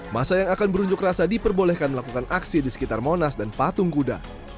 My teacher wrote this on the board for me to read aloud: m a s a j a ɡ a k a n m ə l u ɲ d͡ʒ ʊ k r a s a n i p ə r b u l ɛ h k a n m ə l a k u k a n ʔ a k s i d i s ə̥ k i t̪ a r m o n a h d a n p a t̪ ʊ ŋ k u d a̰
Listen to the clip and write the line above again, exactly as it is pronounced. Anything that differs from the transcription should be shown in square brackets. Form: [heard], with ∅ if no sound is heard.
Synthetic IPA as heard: m a s a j a [ŋ] a k a n [b] ə [ɾ] u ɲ d͡ʒ ʊ k r a s a [d] i p ə r b [o] l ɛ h k a n m ə l a k u k a n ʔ a k s i d i s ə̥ k i t̪ a r m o n a [s] d a n p a t̪ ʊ ŋ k u d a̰